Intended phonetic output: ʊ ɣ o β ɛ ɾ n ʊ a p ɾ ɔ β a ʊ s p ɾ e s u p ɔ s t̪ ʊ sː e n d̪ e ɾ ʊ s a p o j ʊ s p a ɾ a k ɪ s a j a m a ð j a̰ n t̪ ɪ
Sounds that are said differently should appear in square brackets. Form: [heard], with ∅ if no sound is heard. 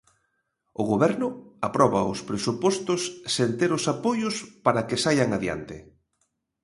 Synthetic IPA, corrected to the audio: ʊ ɣ o β ɛ ɾ n ʊ a p ɾ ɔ β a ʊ s p ɾ e s u p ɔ s t̪ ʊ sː e n [t̪] e ɾ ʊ s a p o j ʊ s p a ɾ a k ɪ s a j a [ŋ] a ð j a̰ n t̪ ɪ